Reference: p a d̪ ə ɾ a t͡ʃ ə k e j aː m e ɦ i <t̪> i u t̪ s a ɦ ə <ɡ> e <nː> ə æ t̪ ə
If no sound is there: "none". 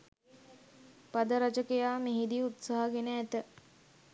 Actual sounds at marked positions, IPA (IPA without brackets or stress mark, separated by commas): d̪, ɡ, n